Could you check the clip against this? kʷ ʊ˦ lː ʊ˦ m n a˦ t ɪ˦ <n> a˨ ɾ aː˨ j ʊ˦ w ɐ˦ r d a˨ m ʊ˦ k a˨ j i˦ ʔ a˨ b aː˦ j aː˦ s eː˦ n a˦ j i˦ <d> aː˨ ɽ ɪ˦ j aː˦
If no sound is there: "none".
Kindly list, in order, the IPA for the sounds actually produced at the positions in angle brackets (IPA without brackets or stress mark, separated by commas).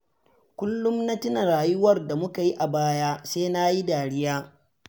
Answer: n, d